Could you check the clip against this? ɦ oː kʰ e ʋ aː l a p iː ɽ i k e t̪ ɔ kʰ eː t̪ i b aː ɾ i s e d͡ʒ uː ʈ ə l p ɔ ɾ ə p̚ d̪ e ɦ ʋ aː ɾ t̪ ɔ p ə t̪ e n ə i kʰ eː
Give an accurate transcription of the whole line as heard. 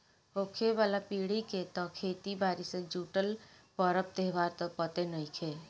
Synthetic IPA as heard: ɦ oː kʰ e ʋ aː l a p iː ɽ i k e t̪ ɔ kʰ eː t̪ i b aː ɾ i s e d͡ʒ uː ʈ ə l p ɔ ɾ ə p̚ t̪ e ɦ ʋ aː ɾ t̪ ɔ p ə t̪ e n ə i kʰ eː